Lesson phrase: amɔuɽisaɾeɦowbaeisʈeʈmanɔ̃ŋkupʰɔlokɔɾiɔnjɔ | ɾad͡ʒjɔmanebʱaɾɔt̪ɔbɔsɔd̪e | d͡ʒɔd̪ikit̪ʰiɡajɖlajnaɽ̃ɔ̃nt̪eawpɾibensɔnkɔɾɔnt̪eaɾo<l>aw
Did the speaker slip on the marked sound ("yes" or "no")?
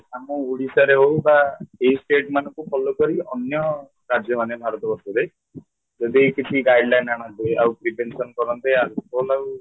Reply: no